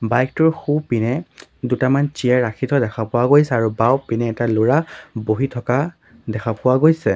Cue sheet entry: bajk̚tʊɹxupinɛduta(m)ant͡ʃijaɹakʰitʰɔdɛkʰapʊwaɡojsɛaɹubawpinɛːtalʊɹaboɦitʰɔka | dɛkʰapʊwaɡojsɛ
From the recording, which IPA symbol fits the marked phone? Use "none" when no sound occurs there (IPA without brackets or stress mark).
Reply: m